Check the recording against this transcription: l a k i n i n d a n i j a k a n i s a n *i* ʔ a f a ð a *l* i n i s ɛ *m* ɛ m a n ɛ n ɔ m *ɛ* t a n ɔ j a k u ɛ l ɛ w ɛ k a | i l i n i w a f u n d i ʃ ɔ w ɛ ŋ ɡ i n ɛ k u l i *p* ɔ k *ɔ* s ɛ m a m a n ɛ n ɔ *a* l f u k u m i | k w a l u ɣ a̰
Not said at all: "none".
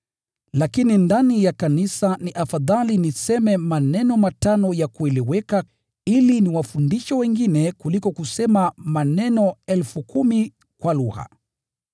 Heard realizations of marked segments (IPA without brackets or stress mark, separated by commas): i, l, m, a, k, u, ɛ